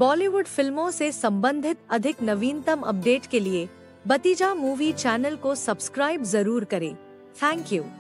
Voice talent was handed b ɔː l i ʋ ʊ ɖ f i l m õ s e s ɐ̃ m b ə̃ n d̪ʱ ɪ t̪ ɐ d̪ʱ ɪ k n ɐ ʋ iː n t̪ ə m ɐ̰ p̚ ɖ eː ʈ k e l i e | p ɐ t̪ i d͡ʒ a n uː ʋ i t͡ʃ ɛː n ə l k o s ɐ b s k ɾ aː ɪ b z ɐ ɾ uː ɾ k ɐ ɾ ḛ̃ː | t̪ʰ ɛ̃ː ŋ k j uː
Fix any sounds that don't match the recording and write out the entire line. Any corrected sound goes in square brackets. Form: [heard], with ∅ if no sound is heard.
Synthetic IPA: b ɔː l i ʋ ʊ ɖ f [ɪ] l m õ s e s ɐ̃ m b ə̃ n d̪ʱ ɪ t̪ ɐ d̪ʱ ɪ k n ɐ ʋ iː n t̪ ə m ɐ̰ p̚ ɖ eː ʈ k e l i e | [b] ɐ t̪ i d͡ʒ a [m] uː ʋ i t͡ʃ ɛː n ə l k o s ɐ b s k ɾ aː ɪ b z ɐ ɾ uː ɾ k ɐ ɾ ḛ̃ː | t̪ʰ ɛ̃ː ŋ k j uː